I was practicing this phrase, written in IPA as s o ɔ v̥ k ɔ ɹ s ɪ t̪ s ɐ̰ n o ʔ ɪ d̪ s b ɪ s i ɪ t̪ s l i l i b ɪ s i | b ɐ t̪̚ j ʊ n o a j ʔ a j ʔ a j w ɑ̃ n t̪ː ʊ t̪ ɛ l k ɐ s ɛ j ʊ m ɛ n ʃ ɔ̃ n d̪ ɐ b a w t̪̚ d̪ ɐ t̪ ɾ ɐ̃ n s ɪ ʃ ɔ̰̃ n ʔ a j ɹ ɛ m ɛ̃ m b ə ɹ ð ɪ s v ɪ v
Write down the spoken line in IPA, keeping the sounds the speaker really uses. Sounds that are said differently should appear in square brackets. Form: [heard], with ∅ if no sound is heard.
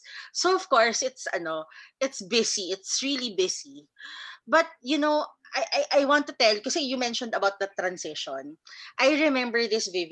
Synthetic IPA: s o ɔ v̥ k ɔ ɹ s ɪ t̪ s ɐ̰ n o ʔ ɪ [t̪] s b ɪ s i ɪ t̪ s [ɹ] i l i b ɪ s i | b ɐ t̪̚ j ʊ n o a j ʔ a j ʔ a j w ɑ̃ n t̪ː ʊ t̪ ɛ l k ɐ s ɛ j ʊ m ɛ n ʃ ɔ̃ n d̪ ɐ b a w t̪̚ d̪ ɐ t̪ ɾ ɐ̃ n s ɪ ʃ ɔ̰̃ n ʔ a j ɹ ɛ m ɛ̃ m b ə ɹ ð ɪ s v ɪ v